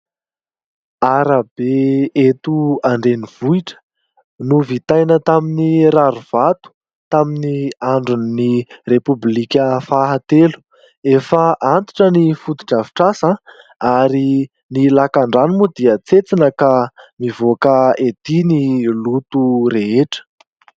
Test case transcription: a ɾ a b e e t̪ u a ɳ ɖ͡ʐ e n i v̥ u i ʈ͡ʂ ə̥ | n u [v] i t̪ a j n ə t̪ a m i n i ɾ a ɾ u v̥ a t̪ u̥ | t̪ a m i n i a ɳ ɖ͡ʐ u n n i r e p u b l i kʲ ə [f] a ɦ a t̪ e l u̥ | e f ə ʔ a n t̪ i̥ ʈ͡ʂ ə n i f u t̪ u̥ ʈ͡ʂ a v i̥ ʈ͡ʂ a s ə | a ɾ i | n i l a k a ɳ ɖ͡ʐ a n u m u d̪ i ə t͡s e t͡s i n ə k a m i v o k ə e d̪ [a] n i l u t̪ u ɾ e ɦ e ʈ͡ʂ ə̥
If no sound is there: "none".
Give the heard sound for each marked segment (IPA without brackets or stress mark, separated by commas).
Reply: v, f, i